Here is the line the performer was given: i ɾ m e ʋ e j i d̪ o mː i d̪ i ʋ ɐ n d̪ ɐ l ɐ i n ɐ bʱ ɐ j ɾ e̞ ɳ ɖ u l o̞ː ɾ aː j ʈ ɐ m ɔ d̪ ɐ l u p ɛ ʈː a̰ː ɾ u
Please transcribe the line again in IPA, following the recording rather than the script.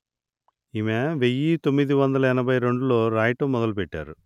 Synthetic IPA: i m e ʋ e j i t̪ o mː i d̪ i ʋ ɐ n d̪ ɐ l ɐ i n ɐ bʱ ɐ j ɾ e̞ ɳ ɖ u l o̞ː ɾ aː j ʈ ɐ m ɔ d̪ ɐ l u p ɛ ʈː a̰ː ɾ u